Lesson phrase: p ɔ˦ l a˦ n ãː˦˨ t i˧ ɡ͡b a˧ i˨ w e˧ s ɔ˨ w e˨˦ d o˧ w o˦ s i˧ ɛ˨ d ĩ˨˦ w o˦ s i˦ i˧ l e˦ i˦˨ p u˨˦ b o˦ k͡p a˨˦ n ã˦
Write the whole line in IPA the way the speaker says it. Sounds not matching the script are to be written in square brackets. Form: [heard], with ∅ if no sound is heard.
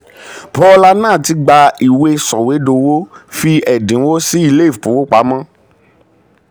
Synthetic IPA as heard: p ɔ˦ l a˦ n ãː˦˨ t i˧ ɡ͡b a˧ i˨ w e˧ s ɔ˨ w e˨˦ d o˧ w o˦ [f] i˧ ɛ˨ d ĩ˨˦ w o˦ s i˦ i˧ l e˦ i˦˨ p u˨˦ [w] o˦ k͡p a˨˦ [m] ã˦